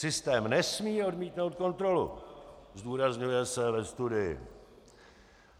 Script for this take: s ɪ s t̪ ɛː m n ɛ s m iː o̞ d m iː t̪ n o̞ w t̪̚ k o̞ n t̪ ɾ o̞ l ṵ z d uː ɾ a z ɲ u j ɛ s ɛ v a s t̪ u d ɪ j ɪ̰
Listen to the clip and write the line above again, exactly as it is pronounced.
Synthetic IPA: s ɪ s t̪ ɛː m n ɛ s m iː o̞ d m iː t̪ n o̞ w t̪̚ k o̞ n t̪ ɾ o̞ l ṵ z d uː ɾ a z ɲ u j ɛ s ɛ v ɛ s t̪ u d ɪ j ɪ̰

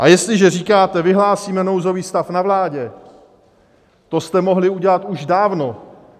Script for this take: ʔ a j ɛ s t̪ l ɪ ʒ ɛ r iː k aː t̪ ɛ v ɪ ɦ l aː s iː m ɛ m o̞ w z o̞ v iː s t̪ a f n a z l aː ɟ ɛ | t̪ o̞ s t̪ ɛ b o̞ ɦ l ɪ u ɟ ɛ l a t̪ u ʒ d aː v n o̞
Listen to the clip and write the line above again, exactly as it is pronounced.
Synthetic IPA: ʔ a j ɛ s t̪ l ɪ ʒ ɛ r iː k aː t̪ ɛ v ɪ ɦ l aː s iː m ɛ n o̞ w z o̞ v iː s t̪ a f n a v l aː ɟ ɛ | t̪ o̞ s t̪ ɛ m o̞ ɦ l ɪ u ɟ ɛ l a t̪ u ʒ d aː v n o̞

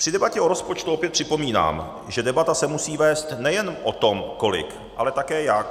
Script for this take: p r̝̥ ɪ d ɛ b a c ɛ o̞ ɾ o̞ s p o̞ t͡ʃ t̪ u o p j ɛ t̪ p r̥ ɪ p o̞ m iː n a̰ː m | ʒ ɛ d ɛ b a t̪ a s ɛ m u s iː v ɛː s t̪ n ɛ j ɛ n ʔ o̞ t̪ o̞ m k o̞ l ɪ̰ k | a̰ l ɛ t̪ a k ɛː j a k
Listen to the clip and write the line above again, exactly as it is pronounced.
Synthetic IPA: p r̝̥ ɪ d ɛ b a c ɛ o̞ ɾ o̞ s p o̞ t͡ʃ t̪ u o p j ɛ t̪ p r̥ ɪ p o̞ m iː n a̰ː m | ʒ ɛ d ɛ b a t̪ a s ɛ m u s iː v ɛː s t̪ n ɛ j ɛ n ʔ o̞ t̪ o̞ m k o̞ l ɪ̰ k | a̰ l ɛ t̪ a k ɛː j a k

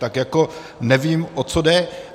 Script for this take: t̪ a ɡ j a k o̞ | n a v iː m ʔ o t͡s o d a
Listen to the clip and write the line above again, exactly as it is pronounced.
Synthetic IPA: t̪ a k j a k o̞ | n ɛ v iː m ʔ o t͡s o d ɛ

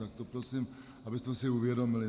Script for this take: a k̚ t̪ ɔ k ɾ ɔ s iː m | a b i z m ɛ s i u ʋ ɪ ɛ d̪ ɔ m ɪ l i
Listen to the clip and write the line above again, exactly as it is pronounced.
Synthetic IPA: a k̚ t̪ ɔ p ɾ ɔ s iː m | a b i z m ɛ s i u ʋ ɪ ɛ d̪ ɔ m i l i

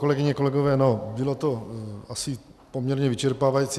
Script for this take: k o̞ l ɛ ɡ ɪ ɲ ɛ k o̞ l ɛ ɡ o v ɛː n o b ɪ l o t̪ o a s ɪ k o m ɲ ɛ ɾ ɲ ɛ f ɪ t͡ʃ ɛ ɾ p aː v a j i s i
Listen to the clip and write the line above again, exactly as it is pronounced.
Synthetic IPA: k o̞ l ɛ ɡ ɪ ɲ ɛ k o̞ l ɛ ɡ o v ɛː n o b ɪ l o t̪ o a s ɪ p o m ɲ ɛ ɾ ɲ ɛ v ɪ t͡ʃ ɛ ɾ p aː v a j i t͡s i

